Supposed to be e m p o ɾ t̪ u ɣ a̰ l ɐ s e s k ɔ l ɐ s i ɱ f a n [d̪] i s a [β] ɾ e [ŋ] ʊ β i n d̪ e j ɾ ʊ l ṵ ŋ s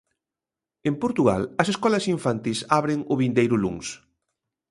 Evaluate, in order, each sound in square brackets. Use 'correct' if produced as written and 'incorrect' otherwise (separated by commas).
incorrect, correct, correct